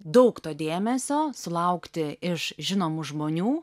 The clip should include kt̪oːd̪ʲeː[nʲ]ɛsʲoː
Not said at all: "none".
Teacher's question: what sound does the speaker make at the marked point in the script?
mʲ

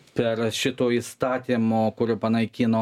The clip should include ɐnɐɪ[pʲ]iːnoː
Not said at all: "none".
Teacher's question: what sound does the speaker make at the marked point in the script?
kʲ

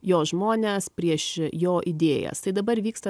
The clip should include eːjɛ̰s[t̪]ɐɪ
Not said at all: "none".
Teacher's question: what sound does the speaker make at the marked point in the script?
t̪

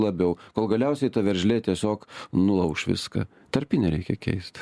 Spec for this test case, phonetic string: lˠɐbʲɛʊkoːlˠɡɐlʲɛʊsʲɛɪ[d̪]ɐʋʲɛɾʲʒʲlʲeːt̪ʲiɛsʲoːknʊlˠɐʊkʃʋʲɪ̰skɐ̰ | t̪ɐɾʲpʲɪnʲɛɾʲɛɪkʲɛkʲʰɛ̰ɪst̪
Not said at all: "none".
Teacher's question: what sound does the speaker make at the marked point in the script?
t̪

